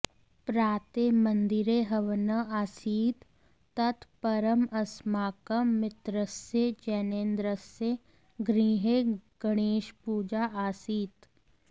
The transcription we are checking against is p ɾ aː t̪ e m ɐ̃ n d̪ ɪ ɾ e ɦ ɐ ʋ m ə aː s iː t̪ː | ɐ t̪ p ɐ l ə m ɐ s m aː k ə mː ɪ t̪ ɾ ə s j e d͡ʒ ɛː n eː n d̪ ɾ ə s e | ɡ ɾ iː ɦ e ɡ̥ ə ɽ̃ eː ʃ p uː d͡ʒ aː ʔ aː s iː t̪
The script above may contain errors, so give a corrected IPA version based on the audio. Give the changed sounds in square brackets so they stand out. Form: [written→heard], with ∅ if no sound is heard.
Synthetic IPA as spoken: p ɾ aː t̪ e m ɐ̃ n d̪ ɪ ɾ e ɦ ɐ ʋ [m→n] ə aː s iː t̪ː | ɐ t̪ p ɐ [l→ɾ] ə m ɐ s m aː k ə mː ɪ t̪ ɾ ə s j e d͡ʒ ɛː n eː n d̪ ɾ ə s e | ɡ ɾ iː ɦ e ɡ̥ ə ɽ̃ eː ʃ p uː d͡ʒ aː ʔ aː s iː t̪